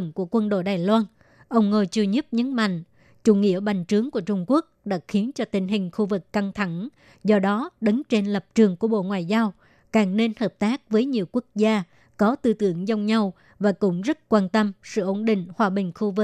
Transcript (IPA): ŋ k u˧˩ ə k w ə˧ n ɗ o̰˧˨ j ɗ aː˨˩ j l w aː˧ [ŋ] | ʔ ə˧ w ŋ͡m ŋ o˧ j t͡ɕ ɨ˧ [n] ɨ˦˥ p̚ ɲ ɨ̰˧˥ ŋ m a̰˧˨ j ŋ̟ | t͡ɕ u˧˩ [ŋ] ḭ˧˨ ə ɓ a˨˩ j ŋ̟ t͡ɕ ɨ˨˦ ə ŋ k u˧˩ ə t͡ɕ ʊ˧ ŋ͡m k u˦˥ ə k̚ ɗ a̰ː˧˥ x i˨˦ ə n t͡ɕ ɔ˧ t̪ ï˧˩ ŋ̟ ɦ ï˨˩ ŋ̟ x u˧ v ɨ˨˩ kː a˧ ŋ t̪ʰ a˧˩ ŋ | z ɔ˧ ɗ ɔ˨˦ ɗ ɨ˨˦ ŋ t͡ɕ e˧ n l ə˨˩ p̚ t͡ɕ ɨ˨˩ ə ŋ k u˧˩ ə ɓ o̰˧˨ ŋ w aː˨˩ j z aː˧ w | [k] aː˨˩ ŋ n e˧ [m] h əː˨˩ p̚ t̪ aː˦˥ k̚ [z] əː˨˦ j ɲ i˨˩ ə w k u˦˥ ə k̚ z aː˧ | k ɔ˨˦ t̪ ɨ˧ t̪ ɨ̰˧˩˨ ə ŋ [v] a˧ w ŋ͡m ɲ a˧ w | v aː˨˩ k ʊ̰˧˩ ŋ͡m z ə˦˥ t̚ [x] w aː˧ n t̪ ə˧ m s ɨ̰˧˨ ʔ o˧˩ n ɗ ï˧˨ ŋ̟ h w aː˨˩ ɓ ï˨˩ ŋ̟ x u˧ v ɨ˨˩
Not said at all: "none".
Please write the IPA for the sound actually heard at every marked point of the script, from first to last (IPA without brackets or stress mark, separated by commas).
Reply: n, ɲ, ŋ, k, n, v, z, k